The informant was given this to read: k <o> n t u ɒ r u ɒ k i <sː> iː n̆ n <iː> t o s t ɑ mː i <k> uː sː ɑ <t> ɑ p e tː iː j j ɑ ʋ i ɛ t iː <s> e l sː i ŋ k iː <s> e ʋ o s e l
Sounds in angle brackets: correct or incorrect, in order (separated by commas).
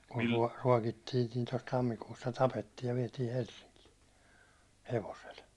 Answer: incorrect, incorrect, correct, correct, correct, incorrect, incorrect